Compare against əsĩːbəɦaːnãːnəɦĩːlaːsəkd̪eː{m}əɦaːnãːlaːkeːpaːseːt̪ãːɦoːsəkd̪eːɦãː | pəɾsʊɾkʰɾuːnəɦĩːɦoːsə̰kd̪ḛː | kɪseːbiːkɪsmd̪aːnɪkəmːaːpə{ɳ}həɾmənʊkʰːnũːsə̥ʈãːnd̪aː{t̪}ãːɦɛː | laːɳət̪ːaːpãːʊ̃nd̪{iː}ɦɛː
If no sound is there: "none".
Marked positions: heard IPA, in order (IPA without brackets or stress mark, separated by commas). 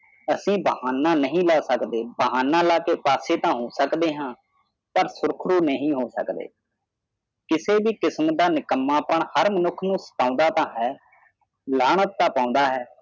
b, ɳ, t̪, aː